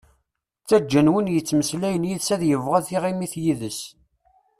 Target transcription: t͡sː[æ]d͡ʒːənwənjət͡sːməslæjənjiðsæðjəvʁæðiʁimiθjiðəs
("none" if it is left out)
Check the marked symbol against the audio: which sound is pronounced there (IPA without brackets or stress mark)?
æ